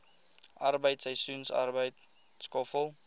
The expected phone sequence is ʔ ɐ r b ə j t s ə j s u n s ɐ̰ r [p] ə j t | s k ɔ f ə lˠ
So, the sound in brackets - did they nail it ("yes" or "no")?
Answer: no